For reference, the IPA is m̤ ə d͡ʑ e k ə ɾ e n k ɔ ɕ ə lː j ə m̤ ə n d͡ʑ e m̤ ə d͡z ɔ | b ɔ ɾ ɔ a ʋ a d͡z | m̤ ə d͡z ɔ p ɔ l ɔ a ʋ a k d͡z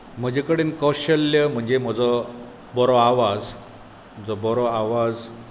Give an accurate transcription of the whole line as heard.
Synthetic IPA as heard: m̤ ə d͡ʑ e k ə ɽ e n k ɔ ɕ ə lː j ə m̤ ə ɳ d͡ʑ e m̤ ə d͡z ɔ | b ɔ ɾ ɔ a ʋ a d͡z | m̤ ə d͡z ɔ b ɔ ɾ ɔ a ʋ a d͡z